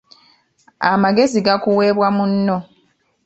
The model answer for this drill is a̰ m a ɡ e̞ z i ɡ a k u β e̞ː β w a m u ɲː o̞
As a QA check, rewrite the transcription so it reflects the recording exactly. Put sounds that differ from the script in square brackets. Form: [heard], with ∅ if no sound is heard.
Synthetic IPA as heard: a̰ m a ɡ e̞ z i ɡ a k u [w] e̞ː β w a m u [nː] o̞